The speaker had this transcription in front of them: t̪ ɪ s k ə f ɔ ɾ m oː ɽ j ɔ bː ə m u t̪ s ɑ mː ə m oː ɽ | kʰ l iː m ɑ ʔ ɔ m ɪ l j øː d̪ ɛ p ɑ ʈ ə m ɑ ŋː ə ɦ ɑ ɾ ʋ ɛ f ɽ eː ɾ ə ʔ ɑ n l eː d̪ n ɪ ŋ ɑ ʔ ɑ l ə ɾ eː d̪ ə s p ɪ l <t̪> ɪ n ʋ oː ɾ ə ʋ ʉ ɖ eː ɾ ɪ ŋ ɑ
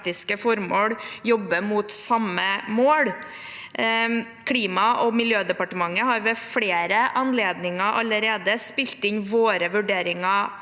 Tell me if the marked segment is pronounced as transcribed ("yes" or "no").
yes